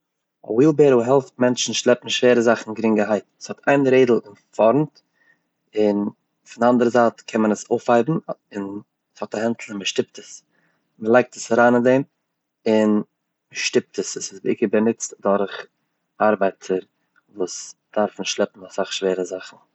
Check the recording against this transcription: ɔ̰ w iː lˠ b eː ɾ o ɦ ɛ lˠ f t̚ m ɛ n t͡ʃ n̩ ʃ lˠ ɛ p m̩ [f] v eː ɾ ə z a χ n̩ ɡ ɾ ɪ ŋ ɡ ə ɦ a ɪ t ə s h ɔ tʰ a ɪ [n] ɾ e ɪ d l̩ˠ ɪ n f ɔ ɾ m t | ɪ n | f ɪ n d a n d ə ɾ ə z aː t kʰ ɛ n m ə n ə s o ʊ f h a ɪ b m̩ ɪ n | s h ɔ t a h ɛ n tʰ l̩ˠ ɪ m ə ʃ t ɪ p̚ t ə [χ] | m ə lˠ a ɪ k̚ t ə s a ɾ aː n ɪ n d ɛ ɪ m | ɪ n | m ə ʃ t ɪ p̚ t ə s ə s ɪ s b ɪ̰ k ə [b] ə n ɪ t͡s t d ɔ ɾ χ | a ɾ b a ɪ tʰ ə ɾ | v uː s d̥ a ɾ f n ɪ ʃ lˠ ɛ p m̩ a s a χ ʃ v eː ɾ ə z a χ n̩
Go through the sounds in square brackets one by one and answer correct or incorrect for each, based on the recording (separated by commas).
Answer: incorrect, correct, incorrect, correct